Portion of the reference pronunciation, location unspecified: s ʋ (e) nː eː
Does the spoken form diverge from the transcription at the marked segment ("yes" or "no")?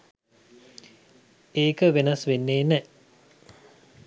no